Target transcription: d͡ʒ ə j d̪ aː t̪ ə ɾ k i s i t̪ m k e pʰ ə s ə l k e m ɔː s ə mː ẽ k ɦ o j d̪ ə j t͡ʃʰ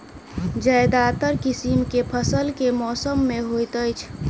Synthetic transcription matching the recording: d͡ʒ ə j d̪ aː t̪ ə ɾ k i s i m k e pʰ ə s ə l k e m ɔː s ə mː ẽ ɦ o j t̪ ə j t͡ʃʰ